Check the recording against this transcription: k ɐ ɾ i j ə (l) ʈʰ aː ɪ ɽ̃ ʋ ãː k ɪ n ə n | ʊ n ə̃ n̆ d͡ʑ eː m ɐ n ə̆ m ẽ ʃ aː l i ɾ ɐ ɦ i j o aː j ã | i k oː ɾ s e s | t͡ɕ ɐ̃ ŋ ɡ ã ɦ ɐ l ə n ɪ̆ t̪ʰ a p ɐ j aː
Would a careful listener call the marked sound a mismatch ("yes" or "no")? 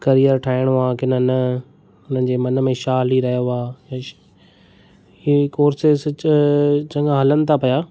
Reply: yes